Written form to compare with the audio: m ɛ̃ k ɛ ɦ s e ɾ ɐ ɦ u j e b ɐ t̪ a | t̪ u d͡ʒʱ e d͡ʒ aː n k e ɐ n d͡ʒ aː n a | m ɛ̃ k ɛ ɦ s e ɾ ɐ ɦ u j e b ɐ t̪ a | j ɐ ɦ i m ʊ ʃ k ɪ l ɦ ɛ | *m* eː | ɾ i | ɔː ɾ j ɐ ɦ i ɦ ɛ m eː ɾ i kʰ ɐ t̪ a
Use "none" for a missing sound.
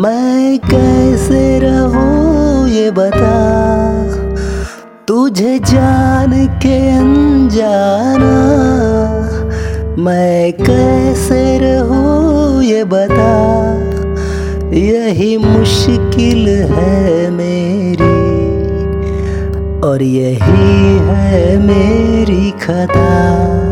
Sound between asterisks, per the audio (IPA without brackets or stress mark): m